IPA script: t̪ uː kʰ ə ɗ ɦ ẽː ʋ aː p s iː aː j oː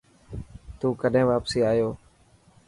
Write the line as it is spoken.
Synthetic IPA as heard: t̪ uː k ə ɗ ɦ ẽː ʋ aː p s iː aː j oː